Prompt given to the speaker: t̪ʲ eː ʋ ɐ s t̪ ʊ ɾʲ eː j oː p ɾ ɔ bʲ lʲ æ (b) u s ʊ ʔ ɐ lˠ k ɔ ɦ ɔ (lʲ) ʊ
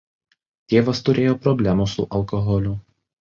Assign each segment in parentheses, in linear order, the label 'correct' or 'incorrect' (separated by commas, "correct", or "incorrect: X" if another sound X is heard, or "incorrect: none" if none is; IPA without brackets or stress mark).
incorrect: m, correct